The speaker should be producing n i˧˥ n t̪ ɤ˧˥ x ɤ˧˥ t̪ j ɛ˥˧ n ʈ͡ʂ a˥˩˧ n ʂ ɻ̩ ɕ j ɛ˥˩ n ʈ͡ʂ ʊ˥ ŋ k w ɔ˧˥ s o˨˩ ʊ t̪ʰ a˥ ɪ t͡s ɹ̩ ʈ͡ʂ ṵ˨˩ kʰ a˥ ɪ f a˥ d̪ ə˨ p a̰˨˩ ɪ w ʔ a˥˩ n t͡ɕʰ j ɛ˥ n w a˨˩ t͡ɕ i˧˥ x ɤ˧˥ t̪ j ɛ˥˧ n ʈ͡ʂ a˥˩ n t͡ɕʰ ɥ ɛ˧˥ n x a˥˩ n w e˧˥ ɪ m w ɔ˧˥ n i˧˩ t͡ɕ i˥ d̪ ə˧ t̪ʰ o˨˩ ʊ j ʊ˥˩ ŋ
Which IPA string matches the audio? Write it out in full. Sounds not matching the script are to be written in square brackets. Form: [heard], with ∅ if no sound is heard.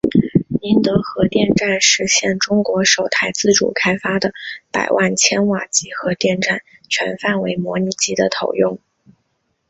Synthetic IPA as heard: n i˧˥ n t̪ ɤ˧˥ x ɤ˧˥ t̪ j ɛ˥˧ n ʈ͡ʂ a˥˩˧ n ʂ ɻ̩ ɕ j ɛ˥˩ n ʈ͡ʂ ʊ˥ ŋ k w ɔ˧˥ [ʂ] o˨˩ ʊ t̪ʰ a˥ ɪ t͡s ɹ̩ ʈ͡ʂ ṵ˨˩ kʰ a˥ ɪ f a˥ d̪ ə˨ p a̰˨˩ ɪ w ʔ a˥˩ n t͡ɕʰ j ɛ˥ n w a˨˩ t͡ɕ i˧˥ x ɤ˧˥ t̪ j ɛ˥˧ n ʈ͡ʂ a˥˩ n t͡ɕʰ ɥ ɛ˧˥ n [f] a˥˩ n w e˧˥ ɪ m w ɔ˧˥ n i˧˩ t͡ɕ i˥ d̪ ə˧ t̪ʰ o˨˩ ʊ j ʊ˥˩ ŋ